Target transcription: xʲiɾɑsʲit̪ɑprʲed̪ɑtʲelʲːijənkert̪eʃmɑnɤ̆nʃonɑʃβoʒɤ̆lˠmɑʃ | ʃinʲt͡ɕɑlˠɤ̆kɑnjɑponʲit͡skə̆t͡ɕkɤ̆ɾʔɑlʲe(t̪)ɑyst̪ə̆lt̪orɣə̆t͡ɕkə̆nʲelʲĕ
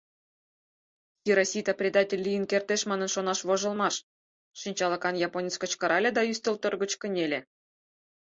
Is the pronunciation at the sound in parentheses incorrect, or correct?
incorrect